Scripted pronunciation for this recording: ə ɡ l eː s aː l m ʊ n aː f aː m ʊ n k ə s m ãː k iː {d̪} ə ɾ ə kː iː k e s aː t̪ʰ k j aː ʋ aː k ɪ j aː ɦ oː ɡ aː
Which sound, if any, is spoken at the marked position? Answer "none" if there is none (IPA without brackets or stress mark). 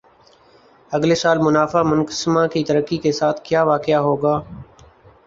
t̪